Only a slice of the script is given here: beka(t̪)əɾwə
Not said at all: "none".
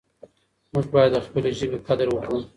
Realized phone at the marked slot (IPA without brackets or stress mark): d̪